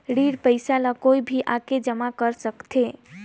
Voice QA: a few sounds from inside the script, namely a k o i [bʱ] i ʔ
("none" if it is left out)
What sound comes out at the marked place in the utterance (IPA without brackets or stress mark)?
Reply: bʱ